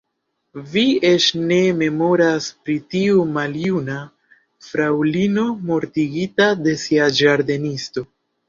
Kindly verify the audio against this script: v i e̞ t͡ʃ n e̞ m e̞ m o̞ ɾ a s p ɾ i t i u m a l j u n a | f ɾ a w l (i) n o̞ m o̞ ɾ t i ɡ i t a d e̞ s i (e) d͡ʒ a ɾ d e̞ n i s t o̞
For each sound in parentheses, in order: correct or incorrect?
correct, incorrect

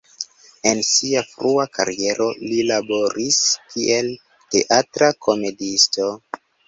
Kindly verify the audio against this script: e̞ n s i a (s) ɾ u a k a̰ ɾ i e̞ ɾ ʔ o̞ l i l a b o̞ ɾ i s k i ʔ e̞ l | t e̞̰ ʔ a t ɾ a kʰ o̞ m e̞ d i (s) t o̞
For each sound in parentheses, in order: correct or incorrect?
incorrect, correct

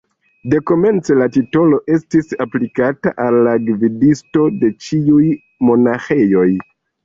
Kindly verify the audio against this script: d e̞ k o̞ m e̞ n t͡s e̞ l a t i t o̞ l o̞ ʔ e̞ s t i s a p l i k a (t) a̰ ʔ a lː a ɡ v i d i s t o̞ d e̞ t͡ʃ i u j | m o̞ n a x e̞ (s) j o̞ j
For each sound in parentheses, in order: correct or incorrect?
correct, incorrect

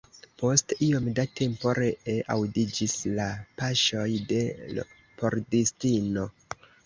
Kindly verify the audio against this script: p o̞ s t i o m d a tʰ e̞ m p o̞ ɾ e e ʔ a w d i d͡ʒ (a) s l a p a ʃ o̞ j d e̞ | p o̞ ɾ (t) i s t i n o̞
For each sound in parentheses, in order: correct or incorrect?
incorrect, incorrect

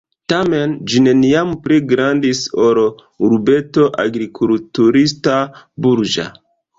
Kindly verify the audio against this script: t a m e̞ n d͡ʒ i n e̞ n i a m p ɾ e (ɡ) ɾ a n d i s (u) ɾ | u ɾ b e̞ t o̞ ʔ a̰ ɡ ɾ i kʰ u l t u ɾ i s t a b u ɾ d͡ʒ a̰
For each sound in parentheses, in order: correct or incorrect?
correct, incorrect

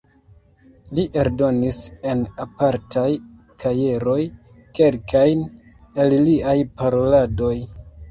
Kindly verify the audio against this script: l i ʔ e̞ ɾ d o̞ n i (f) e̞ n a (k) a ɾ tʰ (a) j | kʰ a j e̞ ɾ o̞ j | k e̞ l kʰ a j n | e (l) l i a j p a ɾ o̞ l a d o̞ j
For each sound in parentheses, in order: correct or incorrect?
incorrect, incorrect, correct, correct

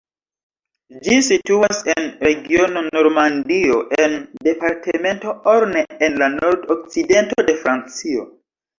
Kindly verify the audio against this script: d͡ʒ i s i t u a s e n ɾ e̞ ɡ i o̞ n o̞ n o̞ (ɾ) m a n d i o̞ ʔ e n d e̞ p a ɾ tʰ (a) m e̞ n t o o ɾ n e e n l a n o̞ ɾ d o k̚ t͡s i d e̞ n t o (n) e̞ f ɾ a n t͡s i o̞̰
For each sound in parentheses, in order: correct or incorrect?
correct, incorrect, incorrect

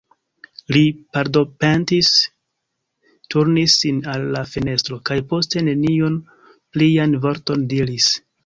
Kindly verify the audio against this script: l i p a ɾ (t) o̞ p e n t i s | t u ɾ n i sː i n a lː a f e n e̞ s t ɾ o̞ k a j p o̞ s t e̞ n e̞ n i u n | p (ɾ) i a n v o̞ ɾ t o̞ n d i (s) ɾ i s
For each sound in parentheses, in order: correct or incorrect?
incorrect, incorrect, incorrect

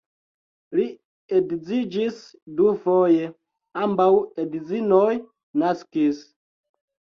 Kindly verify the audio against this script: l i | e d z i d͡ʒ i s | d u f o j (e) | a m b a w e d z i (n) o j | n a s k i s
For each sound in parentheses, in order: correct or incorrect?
correct, correct

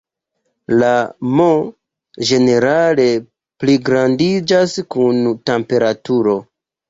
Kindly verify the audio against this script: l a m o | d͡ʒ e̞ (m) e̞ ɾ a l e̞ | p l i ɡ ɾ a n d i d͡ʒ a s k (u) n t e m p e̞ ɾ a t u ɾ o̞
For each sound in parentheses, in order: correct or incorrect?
incorrect, correct

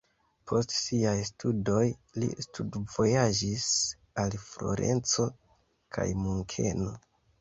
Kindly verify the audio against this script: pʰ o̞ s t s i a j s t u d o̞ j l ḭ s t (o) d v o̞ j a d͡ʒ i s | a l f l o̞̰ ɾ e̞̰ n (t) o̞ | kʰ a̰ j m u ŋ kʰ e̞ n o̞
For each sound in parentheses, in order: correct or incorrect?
incorrect, incorrect

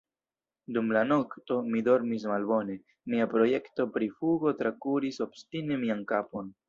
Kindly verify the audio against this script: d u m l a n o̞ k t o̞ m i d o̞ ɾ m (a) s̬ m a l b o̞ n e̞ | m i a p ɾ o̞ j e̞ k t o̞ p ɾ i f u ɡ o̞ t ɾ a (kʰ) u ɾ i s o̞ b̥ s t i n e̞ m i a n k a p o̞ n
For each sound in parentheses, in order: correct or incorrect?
incorrect, incorrect

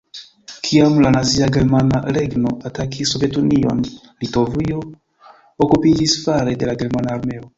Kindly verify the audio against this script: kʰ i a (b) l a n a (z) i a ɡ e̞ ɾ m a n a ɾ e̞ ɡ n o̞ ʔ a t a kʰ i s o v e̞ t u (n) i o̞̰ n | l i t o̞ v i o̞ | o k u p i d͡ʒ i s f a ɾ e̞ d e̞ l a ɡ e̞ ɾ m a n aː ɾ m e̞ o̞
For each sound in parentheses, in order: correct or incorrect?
incorrect, correct, correct

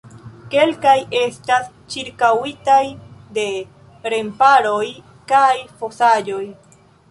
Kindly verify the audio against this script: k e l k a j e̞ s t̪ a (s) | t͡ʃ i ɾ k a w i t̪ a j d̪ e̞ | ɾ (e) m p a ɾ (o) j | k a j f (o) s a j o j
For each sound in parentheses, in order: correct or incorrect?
correct, correct, correct, correct

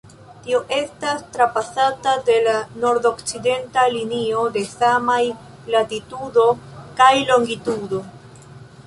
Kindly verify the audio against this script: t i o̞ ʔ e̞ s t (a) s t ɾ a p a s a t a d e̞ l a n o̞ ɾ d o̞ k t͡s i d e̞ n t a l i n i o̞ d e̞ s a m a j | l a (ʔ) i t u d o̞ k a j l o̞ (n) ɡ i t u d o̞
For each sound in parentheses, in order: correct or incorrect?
correct, incorrect, incorrect

